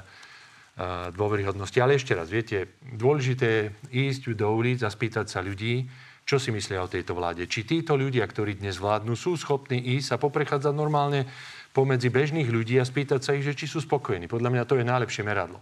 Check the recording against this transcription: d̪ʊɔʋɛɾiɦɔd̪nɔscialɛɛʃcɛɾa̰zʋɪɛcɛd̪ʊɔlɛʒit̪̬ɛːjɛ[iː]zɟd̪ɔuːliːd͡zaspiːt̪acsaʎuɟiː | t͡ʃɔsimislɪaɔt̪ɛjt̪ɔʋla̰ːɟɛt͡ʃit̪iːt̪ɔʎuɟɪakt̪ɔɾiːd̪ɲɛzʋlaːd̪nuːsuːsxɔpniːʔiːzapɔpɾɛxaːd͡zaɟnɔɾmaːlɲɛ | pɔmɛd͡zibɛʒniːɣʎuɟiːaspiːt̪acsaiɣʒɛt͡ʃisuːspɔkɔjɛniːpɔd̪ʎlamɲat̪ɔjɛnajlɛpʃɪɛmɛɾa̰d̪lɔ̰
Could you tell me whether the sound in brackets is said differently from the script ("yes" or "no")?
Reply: no